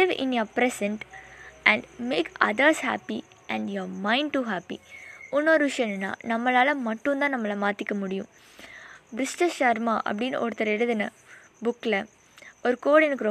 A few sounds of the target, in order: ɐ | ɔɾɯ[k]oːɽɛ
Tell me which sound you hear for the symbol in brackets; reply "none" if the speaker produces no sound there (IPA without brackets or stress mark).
k